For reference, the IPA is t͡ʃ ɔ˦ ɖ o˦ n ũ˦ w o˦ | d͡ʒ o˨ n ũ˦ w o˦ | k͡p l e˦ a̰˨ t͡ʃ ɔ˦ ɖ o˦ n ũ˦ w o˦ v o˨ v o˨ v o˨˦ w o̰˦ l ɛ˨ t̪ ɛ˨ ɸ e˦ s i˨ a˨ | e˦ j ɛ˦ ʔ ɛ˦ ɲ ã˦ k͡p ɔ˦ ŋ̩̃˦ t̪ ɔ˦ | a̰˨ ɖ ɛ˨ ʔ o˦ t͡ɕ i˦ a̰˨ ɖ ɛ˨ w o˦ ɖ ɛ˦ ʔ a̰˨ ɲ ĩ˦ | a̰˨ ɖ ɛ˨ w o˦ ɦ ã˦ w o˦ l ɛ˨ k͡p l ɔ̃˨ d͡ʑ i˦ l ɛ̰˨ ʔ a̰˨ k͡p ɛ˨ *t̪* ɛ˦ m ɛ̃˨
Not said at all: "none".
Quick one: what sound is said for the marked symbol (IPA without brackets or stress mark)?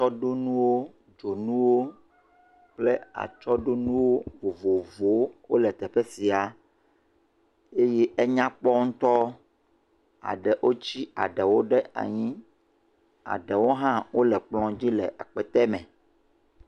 t̪